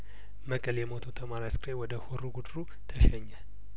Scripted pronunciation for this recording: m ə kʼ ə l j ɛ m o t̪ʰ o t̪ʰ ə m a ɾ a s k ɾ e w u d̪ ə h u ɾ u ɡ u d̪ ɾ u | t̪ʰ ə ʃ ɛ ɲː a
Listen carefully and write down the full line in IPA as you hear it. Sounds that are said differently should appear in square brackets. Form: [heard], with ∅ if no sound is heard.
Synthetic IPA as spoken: m ə kʼ ə l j ɛ m o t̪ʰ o t̪ʰ ə m a ɾ a s k ɾ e w [ɔ] d̪ ə h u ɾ u ɡ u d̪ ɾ u | t̪ʰ ə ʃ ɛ ɲː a